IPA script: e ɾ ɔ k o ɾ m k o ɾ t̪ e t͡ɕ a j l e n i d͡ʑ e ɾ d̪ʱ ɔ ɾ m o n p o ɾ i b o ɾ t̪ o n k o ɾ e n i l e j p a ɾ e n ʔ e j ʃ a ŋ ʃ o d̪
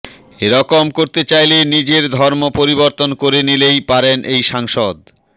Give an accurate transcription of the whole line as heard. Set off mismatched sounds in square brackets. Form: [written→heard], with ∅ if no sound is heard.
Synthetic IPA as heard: e ɾ ɔ k o [ɾ→∅] m k o ɾ t̪ e t͡ɕ a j l e n i d͡ʑ e ɾ d̪ʱ ɔ ɾ m o [n→∅] p o ɾ i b o ɾ t̪ o n k o ɾ e n i l e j p a ɾ e n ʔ e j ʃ a ŋ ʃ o d̪